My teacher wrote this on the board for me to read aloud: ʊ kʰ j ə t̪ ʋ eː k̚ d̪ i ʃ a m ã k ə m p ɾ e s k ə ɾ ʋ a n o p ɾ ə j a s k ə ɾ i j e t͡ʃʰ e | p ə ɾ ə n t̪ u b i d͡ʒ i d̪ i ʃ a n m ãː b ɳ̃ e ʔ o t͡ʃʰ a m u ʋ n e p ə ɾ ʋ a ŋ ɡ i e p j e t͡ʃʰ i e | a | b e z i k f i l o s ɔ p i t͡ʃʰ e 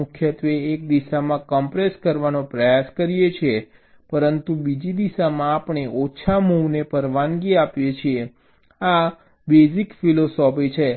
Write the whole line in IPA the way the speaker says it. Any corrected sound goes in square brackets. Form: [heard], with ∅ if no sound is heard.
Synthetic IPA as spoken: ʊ kʰ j ə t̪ ʋ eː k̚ d̪ i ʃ a m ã k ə m p ɾ e s k ə ɾ ʋ a n o p ɾ ə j a s k ə ɾ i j e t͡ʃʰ e | p ə ɾ ə n t̪ u b i d͡ʒ i d̪ i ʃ a [∅] m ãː [p] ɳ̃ e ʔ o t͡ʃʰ a m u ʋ n e p ə ɾ ʋ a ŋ ɡ i [a] p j e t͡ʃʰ i e | a | b e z i k f i l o s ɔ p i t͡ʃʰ e